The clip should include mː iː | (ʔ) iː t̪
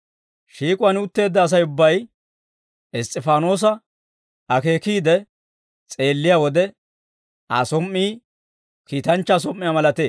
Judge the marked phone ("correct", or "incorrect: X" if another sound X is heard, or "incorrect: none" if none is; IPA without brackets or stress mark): incorrect: k